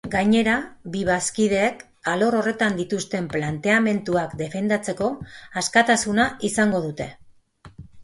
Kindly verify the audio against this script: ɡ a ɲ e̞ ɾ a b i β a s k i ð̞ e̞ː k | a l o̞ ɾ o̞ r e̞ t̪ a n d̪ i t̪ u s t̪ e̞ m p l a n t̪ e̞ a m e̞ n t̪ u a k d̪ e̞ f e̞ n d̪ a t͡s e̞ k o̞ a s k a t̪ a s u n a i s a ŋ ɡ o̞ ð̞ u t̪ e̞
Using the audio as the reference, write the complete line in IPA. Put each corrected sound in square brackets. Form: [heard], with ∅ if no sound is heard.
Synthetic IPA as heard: ɡ a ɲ e̞ ɾ a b i β a s k i ð̞ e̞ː k | a l o̞ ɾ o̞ r e̞ t̪ a n d̪ i t̪ u s t̪ e̞ m p l a n t̪ e̞ a m e̞ n t̪ u a k d̪ e̞ f e̞ n d̪ a t͡s e̞ k o̞ a s k a t̪ a s u n a i s a ŋ ɡ o̞ ð̞ u t̪ e̞